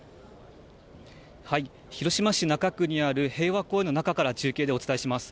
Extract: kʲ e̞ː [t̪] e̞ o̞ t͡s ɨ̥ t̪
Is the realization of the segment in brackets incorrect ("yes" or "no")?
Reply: yes